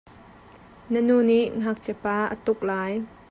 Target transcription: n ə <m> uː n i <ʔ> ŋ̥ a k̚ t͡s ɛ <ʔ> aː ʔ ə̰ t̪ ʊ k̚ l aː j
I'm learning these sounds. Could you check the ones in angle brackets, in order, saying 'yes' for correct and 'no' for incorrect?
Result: no, yes, no

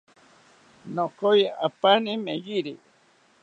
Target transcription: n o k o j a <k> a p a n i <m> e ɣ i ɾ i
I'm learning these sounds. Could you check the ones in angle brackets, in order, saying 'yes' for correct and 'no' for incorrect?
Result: no, yes

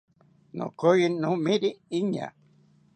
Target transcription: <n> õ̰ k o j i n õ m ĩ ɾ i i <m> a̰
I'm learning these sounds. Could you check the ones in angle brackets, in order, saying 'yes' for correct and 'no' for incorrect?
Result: yes, no

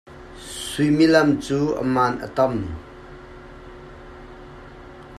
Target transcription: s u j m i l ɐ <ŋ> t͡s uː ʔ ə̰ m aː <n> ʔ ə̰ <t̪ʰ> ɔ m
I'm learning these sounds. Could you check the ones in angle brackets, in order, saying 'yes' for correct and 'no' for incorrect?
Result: no, yes, no

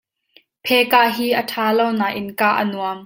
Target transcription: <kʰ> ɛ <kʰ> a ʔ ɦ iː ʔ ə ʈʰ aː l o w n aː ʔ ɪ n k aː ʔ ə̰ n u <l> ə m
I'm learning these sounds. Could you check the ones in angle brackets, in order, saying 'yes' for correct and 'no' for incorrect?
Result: no, no, no

